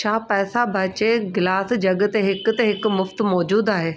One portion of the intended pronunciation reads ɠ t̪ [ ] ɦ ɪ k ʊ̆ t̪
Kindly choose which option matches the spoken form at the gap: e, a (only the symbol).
e